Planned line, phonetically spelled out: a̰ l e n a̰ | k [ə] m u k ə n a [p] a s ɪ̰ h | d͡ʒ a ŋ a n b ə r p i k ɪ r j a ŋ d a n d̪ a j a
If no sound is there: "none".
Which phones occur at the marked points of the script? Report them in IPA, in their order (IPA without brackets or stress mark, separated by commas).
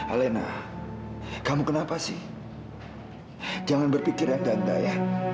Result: a, p